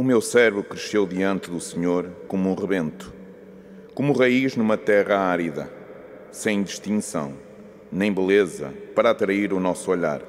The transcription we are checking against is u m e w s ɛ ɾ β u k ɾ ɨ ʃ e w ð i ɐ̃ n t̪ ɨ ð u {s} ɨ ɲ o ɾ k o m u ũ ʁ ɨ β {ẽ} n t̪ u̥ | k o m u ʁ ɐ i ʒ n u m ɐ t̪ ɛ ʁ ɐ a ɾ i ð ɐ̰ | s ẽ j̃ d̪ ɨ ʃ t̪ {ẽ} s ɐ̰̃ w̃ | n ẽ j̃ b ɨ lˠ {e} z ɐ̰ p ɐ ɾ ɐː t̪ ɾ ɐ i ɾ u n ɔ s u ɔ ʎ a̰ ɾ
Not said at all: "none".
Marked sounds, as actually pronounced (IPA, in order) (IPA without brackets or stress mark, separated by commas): s, ẽ, ĩ, e